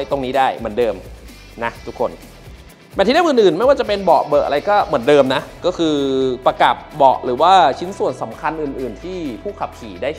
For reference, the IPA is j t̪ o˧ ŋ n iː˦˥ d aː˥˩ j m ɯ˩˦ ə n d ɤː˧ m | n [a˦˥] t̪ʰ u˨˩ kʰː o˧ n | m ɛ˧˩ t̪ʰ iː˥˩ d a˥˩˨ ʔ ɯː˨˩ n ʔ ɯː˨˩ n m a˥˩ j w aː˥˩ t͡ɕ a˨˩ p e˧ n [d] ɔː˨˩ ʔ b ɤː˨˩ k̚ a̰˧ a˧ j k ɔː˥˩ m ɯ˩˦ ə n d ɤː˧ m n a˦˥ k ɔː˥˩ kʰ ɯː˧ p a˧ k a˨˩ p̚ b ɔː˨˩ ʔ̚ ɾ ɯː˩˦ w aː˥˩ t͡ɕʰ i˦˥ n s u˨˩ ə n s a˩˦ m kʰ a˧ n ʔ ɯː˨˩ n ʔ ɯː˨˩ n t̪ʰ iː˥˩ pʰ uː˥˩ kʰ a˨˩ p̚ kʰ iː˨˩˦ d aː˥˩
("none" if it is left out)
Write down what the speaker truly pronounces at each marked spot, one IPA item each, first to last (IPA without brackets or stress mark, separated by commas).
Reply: a˦˥, b